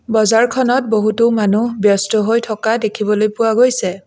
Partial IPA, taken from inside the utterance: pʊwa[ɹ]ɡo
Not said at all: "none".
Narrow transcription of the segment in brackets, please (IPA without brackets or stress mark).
none